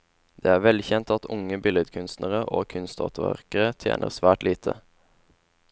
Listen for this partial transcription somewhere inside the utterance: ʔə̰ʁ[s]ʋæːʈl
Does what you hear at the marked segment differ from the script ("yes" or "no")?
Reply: no